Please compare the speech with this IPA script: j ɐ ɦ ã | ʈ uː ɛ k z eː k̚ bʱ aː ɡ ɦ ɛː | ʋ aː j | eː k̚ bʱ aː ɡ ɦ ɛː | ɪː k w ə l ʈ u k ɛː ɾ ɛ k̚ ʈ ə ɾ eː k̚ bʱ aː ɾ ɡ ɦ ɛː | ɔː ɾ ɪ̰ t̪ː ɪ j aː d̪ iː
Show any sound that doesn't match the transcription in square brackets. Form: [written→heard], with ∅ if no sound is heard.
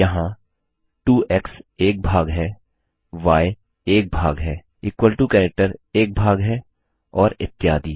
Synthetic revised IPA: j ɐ ɦ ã | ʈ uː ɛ k [z→s] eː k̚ bʱ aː ɡ ɦ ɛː | ʋ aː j | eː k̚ bʱ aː ɡ ɦ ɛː | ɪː k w ə l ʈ u k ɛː ɾ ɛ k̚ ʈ ə ɾ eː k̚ bʱ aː [ɾ→∅] ɡ ɦ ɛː | ɔː ɾ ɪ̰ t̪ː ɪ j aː d̪ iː

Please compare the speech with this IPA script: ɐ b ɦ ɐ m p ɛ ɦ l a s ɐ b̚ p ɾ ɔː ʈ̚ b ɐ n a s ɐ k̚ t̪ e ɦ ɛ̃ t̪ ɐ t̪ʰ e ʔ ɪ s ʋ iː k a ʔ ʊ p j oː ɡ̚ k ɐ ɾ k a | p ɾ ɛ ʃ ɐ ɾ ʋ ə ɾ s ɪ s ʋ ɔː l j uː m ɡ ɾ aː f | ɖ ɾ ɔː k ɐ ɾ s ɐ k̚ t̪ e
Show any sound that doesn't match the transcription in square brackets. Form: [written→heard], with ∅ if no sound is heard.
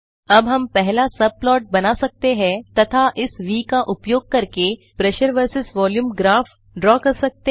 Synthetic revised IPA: ɐ b ɦ ɐ m p ɛ ɦ l a s ɐ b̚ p [ɾ→l] ɔː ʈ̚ b ɐ n a s ɐ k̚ t̪ e ɦ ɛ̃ t̪ ɐ t̪ʰ [e→a] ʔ ɪ s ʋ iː k a ʔ ʊ p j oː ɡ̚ k ɐ ɾ k [a→e] | p ɾ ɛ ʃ [ɐ→ə] ɾ ʋ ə ɾ s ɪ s ʋ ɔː l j uː m ɡ ɾ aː f | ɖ ɾ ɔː k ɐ ɾ s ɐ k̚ t̪ e

